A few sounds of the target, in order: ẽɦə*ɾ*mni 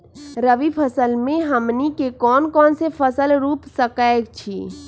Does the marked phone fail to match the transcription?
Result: yes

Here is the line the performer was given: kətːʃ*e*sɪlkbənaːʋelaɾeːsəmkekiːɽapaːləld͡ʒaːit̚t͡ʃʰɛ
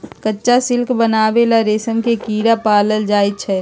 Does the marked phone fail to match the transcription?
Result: yes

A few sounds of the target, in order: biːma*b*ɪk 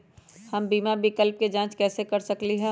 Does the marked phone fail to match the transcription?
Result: no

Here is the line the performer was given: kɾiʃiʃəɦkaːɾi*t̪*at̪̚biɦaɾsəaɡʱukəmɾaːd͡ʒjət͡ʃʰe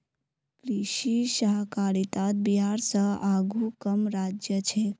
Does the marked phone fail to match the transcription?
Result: no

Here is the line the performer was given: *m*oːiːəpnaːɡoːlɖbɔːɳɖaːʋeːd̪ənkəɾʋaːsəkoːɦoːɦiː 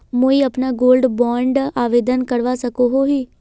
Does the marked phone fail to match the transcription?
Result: no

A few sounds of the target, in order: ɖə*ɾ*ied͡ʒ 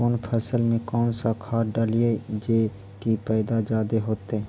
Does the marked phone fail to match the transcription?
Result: yes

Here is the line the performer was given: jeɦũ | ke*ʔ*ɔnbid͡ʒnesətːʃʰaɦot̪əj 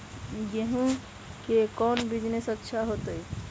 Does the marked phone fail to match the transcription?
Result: yes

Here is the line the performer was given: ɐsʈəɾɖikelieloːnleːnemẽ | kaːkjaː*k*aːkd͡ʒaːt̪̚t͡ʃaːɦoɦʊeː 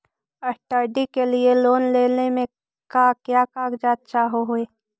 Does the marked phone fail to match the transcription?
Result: no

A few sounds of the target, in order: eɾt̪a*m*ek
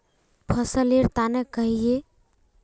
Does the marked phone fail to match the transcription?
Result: yes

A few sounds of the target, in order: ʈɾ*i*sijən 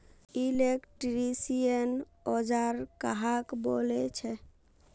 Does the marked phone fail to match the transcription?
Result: no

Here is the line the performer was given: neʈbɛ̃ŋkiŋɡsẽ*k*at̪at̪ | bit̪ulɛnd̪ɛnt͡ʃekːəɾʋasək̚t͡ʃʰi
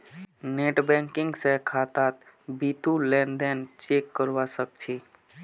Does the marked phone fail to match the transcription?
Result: yes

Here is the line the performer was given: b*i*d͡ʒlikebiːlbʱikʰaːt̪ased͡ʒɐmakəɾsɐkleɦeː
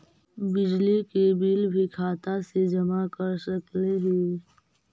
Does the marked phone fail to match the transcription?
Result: yes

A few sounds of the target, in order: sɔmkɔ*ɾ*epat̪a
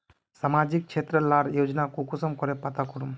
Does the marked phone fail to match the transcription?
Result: no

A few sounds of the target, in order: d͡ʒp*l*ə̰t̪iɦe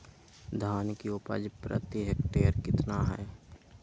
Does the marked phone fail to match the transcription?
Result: yes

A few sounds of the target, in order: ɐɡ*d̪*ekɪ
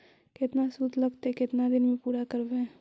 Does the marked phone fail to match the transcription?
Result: yes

